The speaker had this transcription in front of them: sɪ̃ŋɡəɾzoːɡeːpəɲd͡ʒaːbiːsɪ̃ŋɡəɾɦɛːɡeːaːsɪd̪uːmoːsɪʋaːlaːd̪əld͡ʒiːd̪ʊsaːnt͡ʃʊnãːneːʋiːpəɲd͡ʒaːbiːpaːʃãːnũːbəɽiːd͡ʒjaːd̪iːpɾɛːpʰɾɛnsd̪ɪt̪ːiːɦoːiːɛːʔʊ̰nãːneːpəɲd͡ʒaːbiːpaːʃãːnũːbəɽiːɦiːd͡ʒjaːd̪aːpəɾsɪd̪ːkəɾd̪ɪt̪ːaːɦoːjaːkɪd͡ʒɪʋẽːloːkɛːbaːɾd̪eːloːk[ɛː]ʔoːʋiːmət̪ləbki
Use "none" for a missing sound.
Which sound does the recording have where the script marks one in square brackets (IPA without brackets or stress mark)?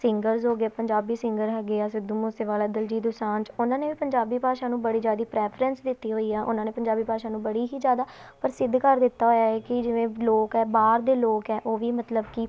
ɛː